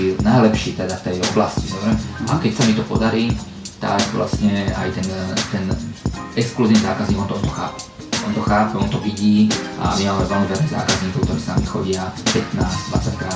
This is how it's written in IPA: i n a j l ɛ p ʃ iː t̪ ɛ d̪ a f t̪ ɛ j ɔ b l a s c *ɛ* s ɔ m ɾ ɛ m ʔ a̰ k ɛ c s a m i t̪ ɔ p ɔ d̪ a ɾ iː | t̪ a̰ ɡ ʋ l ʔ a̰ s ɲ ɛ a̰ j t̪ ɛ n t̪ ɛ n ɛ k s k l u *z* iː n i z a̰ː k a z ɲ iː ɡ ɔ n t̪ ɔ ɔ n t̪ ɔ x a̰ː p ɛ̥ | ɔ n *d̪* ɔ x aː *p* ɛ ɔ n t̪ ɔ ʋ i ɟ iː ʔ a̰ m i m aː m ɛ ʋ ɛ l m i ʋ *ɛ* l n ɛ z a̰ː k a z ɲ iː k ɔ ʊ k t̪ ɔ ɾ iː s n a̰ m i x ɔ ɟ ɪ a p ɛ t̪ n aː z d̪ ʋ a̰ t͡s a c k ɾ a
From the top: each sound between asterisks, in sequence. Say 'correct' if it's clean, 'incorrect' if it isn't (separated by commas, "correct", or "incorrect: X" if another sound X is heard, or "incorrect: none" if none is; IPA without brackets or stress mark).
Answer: incorrect: i, correct, incorrect: t̪, correct, correct